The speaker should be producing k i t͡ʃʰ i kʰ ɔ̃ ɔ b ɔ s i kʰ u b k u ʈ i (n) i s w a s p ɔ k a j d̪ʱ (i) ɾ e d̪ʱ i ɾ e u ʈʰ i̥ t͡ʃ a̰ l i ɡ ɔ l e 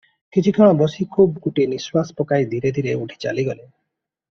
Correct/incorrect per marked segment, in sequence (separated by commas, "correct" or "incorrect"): correct, correct